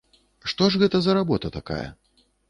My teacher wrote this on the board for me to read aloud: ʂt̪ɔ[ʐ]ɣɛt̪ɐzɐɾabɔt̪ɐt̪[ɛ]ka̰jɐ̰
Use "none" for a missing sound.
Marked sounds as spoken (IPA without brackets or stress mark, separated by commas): ʐ, a